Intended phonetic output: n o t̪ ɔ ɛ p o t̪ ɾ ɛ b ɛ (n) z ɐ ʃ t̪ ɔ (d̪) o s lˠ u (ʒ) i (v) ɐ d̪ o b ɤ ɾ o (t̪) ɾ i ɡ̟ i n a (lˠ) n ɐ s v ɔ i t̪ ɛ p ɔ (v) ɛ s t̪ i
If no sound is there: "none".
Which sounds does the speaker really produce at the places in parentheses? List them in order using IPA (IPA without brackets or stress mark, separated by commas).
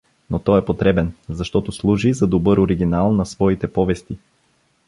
n, t̪, ʒ, z, none, lˠ, v